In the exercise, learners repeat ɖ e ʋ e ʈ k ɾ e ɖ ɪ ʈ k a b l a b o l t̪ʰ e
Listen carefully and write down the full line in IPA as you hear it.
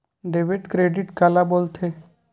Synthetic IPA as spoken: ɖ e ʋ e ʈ k ɾ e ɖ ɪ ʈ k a l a b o l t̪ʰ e

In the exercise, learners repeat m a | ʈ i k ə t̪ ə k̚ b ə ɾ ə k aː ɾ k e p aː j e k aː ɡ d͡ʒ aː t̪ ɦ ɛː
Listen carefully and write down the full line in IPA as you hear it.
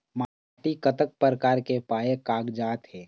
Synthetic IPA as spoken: m a | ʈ i k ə t̪ ə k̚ p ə ɾ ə k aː ɾ k e p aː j e k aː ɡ d͡ʒ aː t̪ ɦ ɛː

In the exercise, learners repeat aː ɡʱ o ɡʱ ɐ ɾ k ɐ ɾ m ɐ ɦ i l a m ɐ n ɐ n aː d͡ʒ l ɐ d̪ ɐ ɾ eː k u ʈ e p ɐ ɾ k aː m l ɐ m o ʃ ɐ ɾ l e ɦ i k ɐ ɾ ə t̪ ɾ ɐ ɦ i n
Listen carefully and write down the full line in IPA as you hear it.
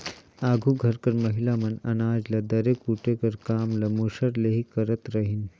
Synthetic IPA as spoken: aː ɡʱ u ɡʱ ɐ ɾ k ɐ ɾ m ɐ ɦ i l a m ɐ n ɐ n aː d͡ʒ l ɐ d̪ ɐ ɾ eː k u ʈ e k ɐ ɾ k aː m l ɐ m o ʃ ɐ ɾ l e ɦ i k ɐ ɾ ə t̪ ɾ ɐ ɦ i n

